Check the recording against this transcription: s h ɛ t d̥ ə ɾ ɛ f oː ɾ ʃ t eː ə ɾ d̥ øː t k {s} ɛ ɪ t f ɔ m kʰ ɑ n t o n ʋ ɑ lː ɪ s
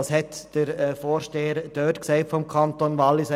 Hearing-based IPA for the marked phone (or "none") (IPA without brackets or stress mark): s